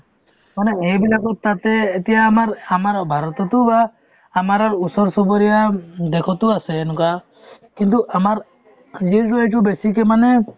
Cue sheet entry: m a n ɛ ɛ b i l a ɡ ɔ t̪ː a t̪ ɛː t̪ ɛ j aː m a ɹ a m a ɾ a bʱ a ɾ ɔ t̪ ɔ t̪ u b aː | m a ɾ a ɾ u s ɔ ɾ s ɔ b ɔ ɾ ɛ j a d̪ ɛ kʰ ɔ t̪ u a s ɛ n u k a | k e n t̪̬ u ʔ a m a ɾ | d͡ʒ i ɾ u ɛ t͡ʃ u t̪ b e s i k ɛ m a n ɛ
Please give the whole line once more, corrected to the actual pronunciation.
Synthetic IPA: m a n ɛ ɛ b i l a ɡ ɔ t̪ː a t̪ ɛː t̪ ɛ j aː m a ɾ a m a ɾ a bʱ a ɾ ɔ t̪ ɔ t̪ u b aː | m a ɾ a ɾ u s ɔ ɾ s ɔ b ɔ ɾ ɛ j a d̪ ɛ kʰ ɔ t̪ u a s ɛ n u k a | k i n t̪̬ u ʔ a m a ɾ | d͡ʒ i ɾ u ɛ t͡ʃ u b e s i k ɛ m a n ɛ